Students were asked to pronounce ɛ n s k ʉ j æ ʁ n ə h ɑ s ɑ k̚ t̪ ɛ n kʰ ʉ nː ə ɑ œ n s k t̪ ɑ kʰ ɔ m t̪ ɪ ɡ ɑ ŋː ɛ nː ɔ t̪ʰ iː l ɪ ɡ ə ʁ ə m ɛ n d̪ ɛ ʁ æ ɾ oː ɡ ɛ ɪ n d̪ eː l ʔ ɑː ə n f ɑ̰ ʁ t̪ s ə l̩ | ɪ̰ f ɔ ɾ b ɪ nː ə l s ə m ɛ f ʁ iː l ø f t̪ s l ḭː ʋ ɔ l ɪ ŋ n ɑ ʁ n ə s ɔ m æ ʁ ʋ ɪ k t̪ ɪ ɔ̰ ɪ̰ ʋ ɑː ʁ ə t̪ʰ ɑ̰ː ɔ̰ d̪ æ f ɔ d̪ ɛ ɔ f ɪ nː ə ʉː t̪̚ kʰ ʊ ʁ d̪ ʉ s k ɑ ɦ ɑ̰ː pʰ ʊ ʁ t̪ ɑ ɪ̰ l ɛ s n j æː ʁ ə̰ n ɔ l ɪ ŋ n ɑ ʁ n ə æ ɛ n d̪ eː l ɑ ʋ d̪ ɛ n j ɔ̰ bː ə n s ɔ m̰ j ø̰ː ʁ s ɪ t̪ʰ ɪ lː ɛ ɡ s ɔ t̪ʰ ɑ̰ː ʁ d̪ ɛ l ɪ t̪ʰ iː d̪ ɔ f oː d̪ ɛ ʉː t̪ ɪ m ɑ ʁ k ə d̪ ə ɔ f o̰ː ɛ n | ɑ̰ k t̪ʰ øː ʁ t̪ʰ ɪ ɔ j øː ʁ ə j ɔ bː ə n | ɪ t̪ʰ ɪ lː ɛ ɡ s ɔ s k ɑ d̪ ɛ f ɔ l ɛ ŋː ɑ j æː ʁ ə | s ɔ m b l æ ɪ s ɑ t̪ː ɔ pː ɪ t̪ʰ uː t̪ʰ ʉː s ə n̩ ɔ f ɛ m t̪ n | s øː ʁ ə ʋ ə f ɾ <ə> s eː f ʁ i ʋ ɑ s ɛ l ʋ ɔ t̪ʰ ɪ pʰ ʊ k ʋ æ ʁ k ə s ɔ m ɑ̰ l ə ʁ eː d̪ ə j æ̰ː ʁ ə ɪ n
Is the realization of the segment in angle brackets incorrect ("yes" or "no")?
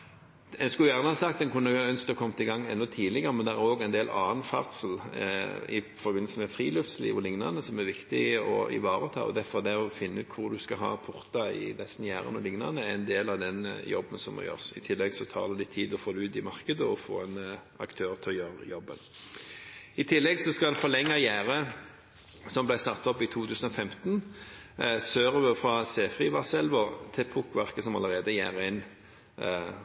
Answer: yes